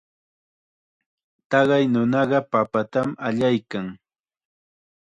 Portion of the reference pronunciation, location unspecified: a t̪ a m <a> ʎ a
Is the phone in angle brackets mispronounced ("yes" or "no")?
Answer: no